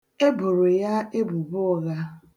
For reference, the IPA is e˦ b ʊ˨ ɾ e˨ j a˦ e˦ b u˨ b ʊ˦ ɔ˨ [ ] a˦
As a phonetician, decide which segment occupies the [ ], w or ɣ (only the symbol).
ɣ